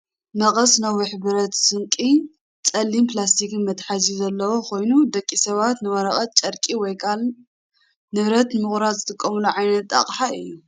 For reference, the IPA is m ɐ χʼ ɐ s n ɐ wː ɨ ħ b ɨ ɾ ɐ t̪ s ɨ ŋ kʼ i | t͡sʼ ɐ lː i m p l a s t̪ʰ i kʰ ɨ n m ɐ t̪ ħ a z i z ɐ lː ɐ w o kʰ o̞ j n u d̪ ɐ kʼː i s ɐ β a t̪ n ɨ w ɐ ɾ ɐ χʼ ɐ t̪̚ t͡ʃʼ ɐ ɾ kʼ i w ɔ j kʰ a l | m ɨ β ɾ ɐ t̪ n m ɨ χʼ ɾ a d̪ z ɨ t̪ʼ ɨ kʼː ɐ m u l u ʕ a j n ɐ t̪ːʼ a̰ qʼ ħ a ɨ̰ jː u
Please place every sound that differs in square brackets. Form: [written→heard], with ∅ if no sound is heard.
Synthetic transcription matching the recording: m ɐ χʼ ɐ s n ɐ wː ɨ ħ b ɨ ɾ ɐ t̪ s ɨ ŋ kʼ i | t͡sʼ ɐ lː i m p l a s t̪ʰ i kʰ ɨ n m ɐ t̪ ħ a z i z ɐ lː ɐ w o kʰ o̞ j n u d̪ ɐ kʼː i s ɐ β a t̪ n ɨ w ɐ ɾ ɐ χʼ ɐ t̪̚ t͡ʃʼ ɐ ɾ kʼ i w ɔ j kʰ a l | [m→n] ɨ β ɾ ɐ t̪ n m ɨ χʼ ɾ a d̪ z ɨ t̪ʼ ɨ kʼː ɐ m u l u ʕ a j n ɐ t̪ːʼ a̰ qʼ ħ a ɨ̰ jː u